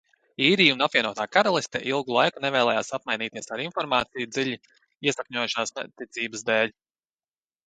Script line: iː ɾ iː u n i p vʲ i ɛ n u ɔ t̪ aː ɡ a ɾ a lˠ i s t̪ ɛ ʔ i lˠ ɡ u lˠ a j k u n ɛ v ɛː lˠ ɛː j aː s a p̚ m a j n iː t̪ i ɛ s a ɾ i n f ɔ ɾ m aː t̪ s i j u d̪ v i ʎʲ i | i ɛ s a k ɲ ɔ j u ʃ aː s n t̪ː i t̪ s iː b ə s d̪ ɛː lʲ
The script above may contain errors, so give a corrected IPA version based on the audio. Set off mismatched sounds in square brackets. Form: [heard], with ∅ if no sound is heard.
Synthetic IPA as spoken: iː ɾ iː u n [a] p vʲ i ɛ n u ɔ t̪ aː [k] a ɾ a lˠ i s t̪ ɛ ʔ i lˠ ɡ u lˠ a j k u n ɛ v ɛː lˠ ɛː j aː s a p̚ m a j n iː t̪ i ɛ s a ɾ i n f ɔ ɾ m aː t̪ s i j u d̪ [z] i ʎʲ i | i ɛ s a k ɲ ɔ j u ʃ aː s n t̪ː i t̪ s iː b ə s d̪ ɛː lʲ